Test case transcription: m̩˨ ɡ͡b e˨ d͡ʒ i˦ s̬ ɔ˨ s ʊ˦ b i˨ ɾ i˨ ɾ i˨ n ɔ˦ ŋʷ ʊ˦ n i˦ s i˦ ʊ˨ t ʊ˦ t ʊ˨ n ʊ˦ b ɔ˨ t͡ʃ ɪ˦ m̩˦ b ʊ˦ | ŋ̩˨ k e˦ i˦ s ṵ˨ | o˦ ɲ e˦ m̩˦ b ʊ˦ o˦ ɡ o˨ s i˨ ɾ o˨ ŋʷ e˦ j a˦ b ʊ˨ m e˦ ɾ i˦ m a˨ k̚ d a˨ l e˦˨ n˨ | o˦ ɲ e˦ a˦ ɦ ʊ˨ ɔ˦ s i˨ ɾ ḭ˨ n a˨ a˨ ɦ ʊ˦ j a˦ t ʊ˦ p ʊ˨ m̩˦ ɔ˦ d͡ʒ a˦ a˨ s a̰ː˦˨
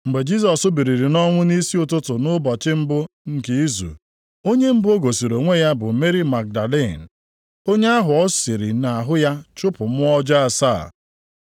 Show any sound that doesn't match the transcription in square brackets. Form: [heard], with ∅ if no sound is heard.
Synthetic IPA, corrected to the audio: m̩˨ ɡ͡b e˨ d͡ʒ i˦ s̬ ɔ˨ s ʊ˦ b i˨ ɾ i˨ ɾ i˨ n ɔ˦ ŋʷ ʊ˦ n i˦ s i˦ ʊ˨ t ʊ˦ t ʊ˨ n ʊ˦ b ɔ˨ t͡ʃ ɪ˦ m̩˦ b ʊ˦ | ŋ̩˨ k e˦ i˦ [z] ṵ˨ | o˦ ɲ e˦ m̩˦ b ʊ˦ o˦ ɡ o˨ s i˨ ɾ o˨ ŋʷ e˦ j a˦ b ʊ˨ m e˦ ɾ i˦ m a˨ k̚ d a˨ l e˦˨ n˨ | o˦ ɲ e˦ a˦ ɦ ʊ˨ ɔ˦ s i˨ ɾ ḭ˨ n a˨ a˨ ɦ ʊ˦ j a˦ [t͡ʃ] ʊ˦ p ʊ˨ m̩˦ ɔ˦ d͡ʒ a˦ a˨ s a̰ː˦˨

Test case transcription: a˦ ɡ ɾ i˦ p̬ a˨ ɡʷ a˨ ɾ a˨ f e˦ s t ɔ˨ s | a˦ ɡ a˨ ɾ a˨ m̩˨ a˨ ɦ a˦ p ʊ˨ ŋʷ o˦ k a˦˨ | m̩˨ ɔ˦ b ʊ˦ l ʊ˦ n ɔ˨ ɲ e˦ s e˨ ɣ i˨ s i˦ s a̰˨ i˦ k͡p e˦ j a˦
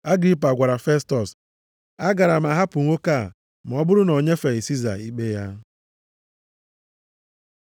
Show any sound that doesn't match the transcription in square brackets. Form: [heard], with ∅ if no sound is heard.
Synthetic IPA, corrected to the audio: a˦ ɡ ɾ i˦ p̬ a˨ ɡʷ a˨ ɾ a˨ f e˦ s t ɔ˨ s | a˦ ɡ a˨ ɾ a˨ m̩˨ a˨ ɦ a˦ p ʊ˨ ŋʷ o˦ k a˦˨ | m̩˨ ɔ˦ b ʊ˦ [ɾ] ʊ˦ n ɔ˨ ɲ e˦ [f] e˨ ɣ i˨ s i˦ [z] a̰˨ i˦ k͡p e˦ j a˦

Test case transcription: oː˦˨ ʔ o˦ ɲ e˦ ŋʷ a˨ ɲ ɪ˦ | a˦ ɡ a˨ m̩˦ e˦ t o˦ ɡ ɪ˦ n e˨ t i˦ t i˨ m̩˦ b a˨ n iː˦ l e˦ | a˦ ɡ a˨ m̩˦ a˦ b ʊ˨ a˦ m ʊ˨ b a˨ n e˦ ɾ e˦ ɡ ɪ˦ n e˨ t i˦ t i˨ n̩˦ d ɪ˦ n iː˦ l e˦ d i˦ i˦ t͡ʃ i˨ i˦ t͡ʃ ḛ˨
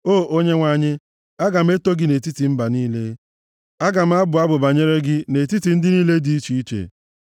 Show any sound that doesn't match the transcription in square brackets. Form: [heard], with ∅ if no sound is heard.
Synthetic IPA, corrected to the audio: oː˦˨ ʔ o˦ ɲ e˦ ŋʷ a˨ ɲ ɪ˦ | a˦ ɡ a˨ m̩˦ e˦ t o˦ ɡ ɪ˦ n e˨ t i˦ t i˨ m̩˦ b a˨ n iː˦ l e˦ | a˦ ɡ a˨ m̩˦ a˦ b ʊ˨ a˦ [b] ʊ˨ b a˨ [ɲ] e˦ ɾ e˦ ɡ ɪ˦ n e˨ t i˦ t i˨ n̩˦ d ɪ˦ n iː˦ l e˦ d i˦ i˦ t͡ʃ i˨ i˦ t͡ʃ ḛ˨

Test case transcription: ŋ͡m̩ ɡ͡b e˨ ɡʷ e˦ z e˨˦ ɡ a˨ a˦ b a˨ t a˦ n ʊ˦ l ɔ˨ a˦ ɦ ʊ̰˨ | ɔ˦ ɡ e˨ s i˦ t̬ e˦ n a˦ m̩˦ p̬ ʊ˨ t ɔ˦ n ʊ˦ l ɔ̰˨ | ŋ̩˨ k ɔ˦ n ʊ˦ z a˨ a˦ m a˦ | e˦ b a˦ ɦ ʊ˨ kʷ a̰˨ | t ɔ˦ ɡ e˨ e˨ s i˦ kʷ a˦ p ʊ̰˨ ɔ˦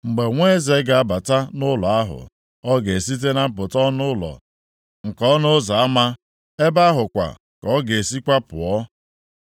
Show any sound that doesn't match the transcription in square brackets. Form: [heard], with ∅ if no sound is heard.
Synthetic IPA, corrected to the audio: ŋ͡m̩ ɡ͡b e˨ [ŋʷ] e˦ z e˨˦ ɡ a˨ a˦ b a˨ t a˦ n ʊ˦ l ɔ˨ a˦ ɦ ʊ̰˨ | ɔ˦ ɡ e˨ s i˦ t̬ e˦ n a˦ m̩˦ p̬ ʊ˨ t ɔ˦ n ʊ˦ l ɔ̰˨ | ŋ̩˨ k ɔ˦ n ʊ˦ z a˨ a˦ m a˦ | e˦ b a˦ ɦ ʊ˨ kʷ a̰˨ | [k] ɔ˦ ɡ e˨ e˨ s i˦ kʷ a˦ p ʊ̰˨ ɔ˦

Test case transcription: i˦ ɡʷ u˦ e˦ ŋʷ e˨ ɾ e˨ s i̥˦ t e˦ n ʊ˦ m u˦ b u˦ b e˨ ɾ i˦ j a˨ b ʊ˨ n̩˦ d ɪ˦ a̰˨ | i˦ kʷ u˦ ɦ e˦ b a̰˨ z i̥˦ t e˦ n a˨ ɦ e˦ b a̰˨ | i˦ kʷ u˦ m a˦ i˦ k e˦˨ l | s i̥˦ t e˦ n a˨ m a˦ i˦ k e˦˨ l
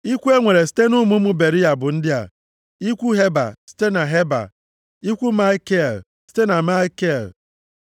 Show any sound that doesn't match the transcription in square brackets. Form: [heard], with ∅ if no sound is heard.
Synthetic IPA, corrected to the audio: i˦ [kʷ] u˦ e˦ ŋʷ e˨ ɾ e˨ s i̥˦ t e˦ n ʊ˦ m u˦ [m] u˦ b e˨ ɾ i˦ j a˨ b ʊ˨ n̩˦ d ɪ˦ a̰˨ | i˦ kʷ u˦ ɦ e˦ b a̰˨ [s] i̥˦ t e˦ n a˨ ɦ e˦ b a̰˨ | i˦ kʷ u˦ m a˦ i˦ k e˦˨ l | s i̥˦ t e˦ n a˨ m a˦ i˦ k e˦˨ l

